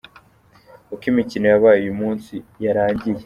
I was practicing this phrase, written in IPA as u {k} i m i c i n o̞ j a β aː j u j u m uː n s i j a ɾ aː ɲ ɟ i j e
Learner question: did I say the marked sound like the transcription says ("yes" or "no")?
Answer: yes